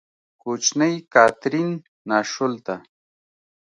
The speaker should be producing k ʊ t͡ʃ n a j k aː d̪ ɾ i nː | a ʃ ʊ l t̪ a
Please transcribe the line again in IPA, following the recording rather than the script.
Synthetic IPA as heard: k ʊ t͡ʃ n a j k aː t̪ ɾ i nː | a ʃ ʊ l t̪ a